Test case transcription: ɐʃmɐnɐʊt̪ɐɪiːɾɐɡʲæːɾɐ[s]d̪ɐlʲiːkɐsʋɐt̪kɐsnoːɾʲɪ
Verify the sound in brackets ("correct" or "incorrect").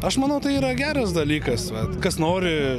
correct